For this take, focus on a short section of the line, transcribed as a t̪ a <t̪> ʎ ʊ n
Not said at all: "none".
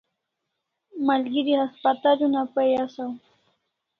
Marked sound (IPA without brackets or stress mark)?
none